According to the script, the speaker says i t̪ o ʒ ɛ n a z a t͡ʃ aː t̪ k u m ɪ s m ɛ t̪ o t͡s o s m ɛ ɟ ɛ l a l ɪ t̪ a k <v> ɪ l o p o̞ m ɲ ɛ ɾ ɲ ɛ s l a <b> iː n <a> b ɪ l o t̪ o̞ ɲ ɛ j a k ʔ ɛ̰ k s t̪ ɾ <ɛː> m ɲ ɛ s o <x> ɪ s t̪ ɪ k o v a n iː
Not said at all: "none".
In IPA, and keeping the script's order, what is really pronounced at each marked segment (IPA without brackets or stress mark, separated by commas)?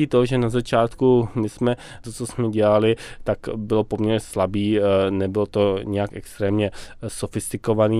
b, b, ɛ, ɛː, f